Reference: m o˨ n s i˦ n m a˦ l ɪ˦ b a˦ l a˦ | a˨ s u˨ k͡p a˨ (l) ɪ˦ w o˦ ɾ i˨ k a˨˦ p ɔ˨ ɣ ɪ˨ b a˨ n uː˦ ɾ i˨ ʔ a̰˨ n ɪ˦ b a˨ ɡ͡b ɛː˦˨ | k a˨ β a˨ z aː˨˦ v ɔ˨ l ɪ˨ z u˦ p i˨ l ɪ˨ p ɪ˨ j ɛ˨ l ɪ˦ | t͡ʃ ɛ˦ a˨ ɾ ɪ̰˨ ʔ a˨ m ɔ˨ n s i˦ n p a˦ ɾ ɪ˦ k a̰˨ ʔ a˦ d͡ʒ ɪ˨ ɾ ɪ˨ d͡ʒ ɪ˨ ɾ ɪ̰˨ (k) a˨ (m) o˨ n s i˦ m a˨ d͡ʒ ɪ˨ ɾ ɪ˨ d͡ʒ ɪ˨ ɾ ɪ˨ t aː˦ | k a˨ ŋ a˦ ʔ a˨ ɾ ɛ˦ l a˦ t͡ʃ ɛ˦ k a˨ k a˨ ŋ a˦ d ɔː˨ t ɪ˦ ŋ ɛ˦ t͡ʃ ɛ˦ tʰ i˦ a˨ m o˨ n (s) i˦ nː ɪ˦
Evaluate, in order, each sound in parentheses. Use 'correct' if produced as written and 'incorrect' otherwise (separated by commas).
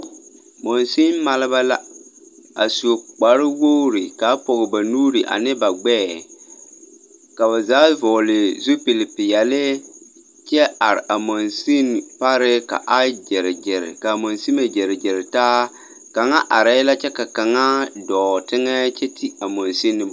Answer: incorrect, correct, correct, correct